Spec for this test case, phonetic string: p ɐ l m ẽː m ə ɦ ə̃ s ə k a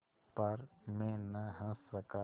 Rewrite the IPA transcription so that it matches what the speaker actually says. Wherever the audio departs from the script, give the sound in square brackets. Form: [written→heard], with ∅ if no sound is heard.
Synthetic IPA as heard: p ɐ [l→ɾ] m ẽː [m→n] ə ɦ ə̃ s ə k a